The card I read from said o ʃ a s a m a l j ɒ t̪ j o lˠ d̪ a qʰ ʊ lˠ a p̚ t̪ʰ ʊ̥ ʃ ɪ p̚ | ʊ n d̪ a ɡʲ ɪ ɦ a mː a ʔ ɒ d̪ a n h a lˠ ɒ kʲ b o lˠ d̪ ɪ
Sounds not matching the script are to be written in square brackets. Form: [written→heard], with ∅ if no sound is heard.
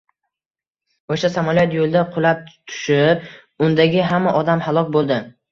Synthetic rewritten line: o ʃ a s a m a l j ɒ t̪ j o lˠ d̪ a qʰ ʊ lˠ a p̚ t̪ʰ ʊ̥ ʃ ɪ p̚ | ʊ n d̪ a ɡʲ ɪ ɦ a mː a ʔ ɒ d̪ a [n→m] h a lˠ ɒ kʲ b o lˠ d̪ ɪ